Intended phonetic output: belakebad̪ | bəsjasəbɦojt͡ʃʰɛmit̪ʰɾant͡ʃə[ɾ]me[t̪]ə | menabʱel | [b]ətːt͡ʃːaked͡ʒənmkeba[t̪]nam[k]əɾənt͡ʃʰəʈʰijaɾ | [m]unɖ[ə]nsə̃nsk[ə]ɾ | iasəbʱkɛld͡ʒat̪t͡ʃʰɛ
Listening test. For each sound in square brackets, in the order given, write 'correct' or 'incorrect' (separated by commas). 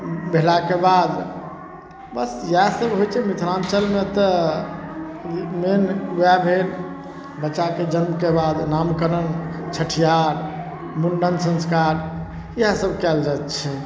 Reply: incorrect, correct, correct, incorrect, correct, correct, correct, incorrect